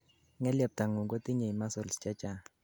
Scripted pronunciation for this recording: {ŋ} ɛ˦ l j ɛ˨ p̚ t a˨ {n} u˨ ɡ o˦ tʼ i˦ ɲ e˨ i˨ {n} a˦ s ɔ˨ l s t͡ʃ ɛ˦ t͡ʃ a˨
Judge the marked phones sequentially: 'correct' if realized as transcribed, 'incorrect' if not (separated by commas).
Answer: correct, incorrect, incorrect